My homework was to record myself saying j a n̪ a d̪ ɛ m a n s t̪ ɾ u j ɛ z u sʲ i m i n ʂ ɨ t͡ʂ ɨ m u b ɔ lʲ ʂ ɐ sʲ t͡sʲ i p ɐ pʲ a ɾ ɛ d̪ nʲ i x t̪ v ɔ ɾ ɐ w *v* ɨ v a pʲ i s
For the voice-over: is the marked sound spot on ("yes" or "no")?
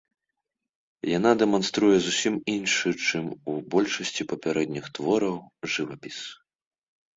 no